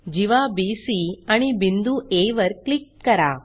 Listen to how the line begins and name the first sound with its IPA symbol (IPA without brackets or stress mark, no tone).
d͡ʒ